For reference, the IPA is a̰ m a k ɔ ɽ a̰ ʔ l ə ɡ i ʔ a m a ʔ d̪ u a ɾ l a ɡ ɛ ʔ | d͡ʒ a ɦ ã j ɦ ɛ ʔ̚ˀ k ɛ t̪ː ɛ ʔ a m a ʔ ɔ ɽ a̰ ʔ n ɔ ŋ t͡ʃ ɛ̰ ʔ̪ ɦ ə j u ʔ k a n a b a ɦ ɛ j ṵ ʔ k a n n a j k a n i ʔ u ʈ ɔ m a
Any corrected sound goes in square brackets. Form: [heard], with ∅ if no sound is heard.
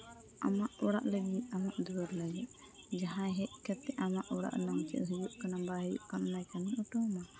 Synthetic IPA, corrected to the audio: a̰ m a [ʔ] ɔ ɽ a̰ ʔ l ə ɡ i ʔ a m a ʔ d̪ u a ɾ l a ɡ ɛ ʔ | d͡ʒ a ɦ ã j ɦ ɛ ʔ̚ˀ k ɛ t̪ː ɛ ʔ a m a ʔ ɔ ɽ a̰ ʔ n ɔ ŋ t͡ʃ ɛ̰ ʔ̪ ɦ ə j u ʔ k a n a b a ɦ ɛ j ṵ ʔ k a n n a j k a n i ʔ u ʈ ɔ m a